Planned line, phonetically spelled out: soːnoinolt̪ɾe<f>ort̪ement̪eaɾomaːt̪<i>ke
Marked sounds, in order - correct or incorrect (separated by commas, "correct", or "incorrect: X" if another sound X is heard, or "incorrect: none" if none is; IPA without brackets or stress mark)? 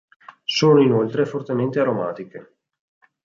correct, correct